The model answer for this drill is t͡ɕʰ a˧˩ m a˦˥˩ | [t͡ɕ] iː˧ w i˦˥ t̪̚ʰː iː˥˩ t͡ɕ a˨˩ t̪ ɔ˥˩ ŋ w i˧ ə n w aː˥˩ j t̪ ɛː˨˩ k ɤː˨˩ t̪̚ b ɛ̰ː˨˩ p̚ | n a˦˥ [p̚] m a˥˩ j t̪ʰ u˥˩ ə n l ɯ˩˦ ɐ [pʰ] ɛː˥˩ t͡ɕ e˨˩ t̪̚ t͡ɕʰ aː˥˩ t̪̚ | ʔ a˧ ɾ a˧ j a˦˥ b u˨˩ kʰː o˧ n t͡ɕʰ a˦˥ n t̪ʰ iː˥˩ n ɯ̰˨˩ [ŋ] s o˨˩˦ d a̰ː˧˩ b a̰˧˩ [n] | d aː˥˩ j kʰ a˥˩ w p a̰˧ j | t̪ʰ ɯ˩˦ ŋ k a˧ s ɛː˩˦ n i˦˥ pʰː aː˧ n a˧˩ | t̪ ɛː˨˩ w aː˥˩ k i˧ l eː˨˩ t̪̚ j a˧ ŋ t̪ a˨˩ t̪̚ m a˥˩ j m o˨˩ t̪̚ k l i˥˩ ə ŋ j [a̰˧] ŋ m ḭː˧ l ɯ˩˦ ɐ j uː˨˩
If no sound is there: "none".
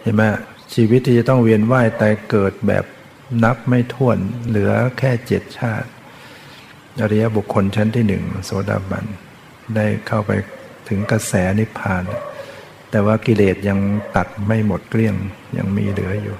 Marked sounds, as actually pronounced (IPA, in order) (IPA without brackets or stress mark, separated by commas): t͡ɕʰ, p̚, kʰ, ŋ, n, a̰˧